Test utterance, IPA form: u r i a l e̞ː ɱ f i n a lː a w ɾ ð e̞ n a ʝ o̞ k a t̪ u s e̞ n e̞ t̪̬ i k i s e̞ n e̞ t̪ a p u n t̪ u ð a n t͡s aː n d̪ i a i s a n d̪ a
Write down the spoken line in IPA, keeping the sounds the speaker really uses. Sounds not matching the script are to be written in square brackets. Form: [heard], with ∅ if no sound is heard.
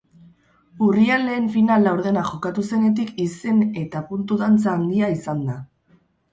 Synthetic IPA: u r i a l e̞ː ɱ f i n a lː a w ɾ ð e̞ n a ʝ o̞ k a t̪ u s e̞ n e̞ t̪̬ i k i s e̞ n e̞ t̪ a p u n t̪ u ð a n t͡s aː n d̪ i a i s a n d̪ a